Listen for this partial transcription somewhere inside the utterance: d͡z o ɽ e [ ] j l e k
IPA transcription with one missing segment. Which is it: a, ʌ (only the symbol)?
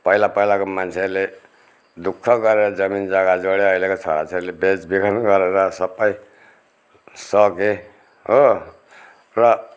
ʌ